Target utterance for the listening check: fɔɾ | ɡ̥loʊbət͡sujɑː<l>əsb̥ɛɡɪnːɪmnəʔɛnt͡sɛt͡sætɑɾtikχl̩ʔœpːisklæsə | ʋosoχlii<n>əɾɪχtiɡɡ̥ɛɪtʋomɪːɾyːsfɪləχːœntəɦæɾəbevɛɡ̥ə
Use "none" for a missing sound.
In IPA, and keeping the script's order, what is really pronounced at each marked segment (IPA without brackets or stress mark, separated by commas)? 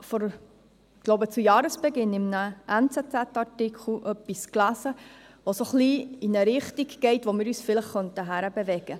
ɾ, n